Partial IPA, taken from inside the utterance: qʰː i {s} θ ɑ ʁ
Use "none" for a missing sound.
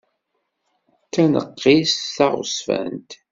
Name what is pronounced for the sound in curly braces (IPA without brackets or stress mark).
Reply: s